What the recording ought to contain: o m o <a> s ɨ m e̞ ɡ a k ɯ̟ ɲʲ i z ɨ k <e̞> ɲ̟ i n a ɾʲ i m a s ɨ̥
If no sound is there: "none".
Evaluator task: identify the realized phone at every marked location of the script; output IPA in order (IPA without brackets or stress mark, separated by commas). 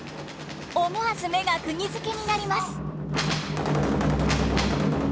a, e̞